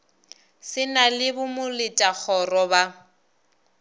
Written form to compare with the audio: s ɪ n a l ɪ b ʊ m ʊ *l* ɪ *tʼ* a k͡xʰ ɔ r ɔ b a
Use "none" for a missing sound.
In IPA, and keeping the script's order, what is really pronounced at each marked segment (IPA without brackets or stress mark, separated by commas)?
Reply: l, tʼ